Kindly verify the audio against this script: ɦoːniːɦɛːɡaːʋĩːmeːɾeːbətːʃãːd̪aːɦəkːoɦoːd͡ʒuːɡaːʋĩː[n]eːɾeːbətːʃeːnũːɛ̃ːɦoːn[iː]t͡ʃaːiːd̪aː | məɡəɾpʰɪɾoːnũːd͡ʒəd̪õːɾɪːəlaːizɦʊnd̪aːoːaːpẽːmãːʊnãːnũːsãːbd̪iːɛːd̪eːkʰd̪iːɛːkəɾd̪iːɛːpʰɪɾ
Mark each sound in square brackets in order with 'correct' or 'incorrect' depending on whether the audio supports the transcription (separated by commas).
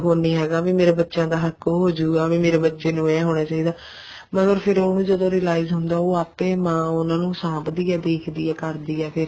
incorrect, incorrect